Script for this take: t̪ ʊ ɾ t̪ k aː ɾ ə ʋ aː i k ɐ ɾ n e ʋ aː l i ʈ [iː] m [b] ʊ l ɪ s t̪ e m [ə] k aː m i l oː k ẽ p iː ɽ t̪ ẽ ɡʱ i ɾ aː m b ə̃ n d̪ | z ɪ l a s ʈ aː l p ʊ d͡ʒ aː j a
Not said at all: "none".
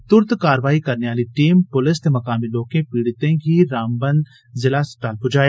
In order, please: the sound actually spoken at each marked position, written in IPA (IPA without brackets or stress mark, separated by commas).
iː, p, ɐ